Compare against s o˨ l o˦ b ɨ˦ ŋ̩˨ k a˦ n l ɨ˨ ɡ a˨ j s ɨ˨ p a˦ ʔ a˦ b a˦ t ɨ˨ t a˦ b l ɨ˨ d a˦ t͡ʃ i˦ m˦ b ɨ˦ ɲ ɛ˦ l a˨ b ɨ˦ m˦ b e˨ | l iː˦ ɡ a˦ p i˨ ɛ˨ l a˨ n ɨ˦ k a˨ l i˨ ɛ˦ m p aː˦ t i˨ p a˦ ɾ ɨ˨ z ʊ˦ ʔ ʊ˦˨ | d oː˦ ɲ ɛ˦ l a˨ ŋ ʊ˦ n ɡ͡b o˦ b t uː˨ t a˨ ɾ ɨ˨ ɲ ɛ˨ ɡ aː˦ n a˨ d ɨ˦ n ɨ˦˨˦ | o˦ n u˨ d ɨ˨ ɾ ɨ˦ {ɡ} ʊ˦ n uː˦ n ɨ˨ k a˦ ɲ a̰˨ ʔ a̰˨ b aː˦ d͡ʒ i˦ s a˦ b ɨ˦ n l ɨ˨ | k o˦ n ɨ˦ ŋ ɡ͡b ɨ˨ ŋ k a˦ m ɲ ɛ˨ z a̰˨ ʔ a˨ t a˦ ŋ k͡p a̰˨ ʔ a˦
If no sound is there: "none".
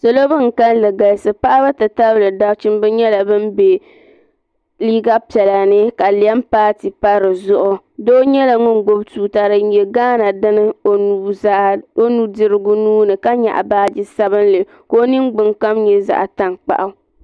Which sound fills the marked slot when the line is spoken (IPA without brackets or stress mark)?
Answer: ɡ